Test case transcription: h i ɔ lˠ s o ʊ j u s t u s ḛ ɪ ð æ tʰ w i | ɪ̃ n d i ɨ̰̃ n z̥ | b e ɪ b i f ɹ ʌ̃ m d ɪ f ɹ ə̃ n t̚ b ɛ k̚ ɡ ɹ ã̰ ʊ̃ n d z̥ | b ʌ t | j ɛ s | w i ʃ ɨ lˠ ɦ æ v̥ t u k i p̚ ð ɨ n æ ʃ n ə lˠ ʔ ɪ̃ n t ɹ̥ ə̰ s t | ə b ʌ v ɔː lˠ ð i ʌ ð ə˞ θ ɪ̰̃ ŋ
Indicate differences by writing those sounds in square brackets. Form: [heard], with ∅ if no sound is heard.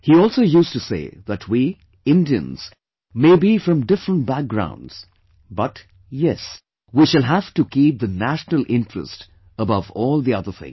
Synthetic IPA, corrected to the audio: h i ɔ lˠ s o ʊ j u s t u s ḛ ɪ ð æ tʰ w i | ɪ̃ n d i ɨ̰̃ n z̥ | [m] e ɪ b i f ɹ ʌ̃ m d ɪ f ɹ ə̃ n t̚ b [æ] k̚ ɡ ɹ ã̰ ʊ̃ n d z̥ | b ʌ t | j ɛ s | w i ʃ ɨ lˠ ɦ æ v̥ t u k i p̚ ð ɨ n æ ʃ n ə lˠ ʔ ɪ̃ n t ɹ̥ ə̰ s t | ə b ʌ v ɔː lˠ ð i ʌ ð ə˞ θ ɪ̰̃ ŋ

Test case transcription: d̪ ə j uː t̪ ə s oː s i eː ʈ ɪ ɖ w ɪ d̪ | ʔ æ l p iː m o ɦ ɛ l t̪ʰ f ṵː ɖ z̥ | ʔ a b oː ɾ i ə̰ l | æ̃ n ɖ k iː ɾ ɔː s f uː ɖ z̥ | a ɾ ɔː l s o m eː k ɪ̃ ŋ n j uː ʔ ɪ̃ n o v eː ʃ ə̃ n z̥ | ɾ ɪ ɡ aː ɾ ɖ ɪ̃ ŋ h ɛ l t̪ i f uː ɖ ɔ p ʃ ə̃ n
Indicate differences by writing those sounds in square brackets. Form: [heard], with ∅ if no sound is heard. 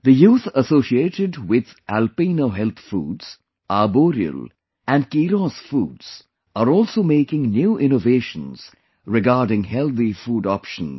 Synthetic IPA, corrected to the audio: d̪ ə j uː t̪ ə s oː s i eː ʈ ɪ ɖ w ɪ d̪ | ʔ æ l p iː [n] o ɦ ɛ l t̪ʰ f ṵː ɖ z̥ | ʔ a b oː ɾ i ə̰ l | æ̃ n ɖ k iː ɾ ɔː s f uː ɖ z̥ | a ɾ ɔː l s o m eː k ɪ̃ ŋ n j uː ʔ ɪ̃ n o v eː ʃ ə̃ n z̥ | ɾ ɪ ɡ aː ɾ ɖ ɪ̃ ŋ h ɛ l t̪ i f uː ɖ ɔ p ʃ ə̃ n

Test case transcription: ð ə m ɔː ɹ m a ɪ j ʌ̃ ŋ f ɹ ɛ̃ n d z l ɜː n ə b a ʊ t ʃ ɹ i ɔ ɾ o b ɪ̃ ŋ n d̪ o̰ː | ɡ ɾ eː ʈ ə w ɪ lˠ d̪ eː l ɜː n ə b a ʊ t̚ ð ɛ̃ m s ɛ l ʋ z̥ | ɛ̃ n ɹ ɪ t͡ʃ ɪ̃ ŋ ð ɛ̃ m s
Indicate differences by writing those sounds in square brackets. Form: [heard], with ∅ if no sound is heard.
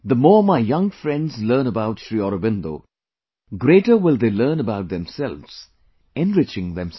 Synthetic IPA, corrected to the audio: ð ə m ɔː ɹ m a ɪ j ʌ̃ ŋ f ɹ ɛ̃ n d z l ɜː n ə b a ʊ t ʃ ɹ i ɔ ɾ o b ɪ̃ [∅] n d̪ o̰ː | ɡ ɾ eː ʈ ə w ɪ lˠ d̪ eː l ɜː n ə b a ʊ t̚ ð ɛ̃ m s ɛ l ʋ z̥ | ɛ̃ n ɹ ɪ t͡ʃ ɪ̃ ŋ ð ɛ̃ m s

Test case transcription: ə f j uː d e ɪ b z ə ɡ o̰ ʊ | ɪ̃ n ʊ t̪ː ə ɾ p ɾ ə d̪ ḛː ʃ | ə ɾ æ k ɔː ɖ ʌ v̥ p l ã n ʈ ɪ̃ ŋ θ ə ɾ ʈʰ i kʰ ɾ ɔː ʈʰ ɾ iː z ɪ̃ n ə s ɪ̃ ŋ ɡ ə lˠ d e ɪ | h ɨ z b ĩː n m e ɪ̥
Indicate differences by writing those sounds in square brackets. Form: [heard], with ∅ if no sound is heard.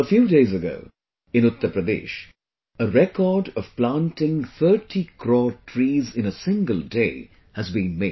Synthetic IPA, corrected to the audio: ə f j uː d e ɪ [∅] z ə ɡ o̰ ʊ | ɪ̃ n ʊ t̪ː ə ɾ p ɾ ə d̪ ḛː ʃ | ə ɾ [ɛ] k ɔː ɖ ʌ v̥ p l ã n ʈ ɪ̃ ŋ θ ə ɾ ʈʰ i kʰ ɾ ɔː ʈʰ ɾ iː z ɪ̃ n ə s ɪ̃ ŋ ɡ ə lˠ d e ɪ | h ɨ z b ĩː n m e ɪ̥

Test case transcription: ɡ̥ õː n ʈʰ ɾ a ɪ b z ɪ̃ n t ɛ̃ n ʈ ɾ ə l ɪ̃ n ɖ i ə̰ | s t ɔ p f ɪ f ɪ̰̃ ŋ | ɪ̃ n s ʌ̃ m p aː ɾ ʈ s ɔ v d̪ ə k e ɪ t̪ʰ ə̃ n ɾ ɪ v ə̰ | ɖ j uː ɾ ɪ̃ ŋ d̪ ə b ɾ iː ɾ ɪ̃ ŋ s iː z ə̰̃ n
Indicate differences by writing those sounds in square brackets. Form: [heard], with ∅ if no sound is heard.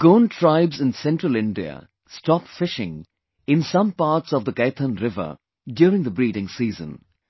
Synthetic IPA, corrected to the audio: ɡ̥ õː n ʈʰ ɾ a ɪ b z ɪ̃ n [s] ɛ̃ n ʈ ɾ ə l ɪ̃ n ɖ i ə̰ | s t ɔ p f ɪ [ʃ] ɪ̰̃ ŋ | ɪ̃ n s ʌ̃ m p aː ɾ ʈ s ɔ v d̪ ə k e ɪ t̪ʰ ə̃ n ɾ ɪ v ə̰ | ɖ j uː ɾ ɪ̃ ŋ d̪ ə b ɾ iː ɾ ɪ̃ ŋ s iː z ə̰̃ n

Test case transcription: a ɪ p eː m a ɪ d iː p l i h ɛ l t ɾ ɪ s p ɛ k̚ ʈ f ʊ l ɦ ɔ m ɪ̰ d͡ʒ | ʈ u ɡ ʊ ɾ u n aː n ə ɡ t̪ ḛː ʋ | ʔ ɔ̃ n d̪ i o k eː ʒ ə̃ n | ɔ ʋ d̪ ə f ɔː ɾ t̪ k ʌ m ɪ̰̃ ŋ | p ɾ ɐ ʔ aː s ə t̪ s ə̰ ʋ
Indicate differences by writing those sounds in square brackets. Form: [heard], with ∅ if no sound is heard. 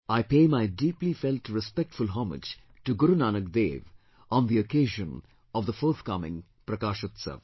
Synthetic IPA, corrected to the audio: a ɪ p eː m a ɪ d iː p l i [f] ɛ l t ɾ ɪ s p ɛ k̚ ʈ f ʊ l ɦ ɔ m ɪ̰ d͡ʒ | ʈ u ɡ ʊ ɾ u n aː n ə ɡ [d̪] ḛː ʋ | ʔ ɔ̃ n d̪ i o k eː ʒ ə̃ n | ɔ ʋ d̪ ə f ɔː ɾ t̪ k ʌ m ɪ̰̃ ŋ | p ɾ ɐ [k] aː [ʃ] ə t̪ s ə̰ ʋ

